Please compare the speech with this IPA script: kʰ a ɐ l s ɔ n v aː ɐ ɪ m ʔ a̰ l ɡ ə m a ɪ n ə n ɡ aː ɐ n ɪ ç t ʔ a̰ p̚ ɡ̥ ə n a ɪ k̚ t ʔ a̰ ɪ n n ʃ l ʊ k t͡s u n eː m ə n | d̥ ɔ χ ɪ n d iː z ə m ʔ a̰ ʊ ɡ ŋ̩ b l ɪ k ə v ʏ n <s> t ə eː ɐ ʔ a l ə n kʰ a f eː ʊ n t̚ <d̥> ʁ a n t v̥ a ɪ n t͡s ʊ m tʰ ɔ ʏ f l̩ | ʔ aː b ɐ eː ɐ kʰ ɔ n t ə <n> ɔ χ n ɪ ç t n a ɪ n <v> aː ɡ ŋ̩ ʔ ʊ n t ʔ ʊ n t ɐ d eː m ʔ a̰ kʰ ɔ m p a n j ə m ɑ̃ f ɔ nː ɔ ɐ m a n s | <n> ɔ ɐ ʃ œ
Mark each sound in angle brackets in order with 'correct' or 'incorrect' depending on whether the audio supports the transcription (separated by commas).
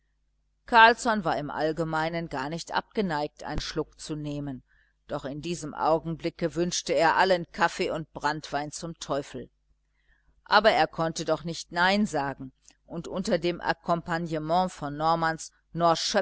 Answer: incorrect, incorrect, incorrect, incorrect, correct